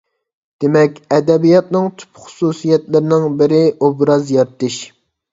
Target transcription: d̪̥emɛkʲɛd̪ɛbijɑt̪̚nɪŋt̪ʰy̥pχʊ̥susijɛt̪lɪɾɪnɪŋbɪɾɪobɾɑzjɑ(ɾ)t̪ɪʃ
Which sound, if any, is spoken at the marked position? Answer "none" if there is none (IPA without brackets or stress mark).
ɾ